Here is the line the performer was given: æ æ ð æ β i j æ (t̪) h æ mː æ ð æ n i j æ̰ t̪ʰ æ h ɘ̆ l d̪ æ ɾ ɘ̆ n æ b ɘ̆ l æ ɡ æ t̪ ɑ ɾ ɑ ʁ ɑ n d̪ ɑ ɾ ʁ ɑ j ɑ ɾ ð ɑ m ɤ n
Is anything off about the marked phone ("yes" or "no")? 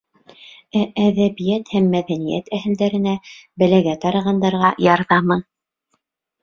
no